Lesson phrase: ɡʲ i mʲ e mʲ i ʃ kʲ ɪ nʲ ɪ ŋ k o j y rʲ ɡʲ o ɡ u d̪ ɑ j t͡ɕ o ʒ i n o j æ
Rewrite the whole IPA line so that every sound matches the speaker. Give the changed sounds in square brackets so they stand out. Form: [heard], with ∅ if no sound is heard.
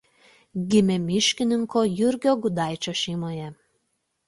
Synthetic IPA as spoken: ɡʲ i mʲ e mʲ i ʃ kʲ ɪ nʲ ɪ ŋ k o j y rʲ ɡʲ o ɡ u d̪ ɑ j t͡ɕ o [ʃ] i [m] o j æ